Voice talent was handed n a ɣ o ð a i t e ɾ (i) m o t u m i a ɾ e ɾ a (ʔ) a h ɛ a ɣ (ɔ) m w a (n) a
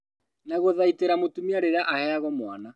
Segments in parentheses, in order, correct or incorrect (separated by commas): incorrect, correct, correct, correct